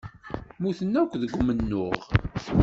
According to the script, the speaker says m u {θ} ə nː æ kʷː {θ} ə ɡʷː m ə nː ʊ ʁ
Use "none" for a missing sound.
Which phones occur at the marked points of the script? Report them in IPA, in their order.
θ, ð

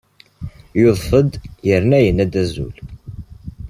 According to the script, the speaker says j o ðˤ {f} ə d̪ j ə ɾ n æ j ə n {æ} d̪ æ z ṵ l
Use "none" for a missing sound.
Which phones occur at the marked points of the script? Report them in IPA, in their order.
f, æ

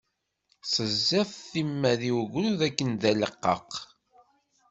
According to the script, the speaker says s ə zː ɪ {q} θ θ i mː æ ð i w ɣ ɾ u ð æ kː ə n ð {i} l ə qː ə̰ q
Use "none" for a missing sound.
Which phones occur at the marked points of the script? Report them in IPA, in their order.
none, æ

